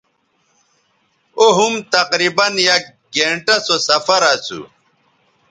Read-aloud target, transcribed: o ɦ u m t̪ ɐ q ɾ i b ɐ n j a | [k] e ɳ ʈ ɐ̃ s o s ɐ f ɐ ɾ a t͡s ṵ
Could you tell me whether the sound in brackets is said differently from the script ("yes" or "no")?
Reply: yes